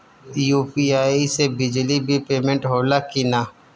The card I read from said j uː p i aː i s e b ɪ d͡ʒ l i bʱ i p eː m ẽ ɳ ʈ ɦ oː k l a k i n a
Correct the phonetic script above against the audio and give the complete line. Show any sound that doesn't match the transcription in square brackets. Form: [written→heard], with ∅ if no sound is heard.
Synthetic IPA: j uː p i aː i s e b ɪ d͡ʒ l i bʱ i p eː m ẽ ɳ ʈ ɦ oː [k→∅] l a k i n a

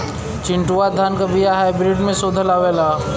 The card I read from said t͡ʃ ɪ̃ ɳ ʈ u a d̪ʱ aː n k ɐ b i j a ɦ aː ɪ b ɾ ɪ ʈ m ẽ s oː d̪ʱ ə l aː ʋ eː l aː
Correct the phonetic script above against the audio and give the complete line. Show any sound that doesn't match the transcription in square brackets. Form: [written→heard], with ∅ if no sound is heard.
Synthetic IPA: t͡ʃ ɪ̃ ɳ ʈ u a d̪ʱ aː n k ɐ b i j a ɦ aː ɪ b ɾ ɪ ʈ m ẽ s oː d̪ʱ ə l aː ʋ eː l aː

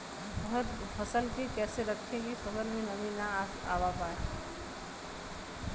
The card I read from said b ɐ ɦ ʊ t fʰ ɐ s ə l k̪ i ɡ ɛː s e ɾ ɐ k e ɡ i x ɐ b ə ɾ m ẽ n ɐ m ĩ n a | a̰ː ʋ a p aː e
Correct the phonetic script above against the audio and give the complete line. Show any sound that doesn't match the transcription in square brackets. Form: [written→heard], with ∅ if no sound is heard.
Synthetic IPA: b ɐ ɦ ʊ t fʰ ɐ s ə l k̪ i [ɡ→k] ɛː s e ɾ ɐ [k→kʰ] e ɡ i x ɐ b ə ɾ m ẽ n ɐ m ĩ n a | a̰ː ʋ a p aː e

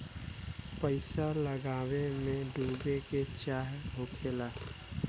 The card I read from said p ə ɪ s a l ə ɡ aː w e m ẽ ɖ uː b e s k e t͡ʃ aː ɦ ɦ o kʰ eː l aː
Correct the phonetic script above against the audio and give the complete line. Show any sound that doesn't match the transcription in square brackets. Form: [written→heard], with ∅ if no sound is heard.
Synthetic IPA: p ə ɪ s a l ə ɡ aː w e m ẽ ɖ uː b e [s→∅] k e t͡ʃ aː ɦ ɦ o kʰ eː l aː

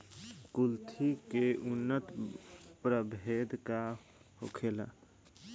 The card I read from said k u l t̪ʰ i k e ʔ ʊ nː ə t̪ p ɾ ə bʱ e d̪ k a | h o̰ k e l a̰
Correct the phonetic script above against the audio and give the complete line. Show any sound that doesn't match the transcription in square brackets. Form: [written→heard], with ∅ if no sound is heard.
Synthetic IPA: k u l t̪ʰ i k e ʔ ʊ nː ə t̪ p ɾ ə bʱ e d̪ k a | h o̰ [k→kʰ] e l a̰

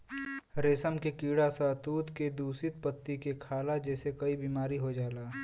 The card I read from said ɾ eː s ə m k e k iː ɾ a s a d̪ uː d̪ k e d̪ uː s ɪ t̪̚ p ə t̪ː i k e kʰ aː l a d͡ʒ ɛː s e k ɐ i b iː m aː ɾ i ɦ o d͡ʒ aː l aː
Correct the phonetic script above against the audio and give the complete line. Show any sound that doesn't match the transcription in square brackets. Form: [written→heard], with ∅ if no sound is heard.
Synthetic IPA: ɾ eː s ə m k e k iː [ɾ→ɽ] a s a [d̪→t̪] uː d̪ k e d̪ uː s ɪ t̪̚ p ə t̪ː i k e kʰ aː l a d͡ʒ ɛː s e k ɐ i b iː m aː ɾ i ɦ o d͡ʒ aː l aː

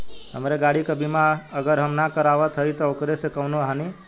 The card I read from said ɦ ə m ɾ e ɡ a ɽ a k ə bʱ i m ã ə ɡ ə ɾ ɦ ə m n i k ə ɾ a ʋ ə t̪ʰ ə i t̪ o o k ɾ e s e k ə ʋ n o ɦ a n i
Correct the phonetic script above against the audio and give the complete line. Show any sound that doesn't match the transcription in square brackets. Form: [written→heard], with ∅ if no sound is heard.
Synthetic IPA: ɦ ə m ɾ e ɡ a ɽ [a→i] k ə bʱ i m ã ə ɡ ə ɾ ɦ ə m n [i→a] k ə ɾ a ʋ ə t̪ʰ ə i t̪ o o k ɾ e s e k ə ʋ n o ɦ a n i

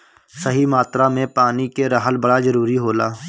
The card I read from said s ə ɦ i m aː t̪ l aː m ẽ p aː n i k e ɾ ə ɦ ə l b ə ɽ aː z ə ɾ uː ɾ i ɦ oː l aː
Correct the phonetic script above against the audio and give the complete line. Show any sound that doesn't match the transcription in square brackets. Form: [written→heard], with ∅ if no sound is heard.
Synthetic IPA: s ə ɦ i m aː t̪ [l→ɾ] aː m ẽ p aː n i k e ɾ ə ɦ ə l b ə ɽ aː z ə ɾ uː ɾ i ɦ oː l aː

